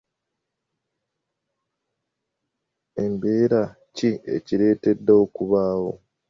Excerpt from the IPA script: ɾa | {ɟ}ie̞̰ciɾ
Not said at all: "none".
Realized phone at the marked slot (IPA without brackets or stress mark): c